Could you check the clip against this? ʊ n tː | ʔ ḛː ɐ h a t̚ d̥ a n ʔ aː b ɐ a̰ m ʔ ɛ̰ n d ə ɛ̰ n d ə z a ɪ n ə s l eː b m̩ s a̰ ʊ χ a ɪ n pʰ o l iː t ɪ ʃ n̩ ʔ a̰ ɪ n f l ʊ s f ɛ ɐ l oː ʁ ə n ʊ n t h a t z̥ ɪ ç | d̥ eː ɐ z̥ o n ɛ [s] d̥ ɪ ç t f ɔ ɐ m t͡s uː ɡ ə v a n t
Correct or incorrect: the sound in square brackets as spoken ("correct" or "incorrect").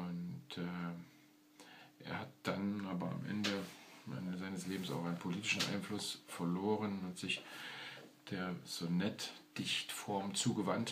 incorrect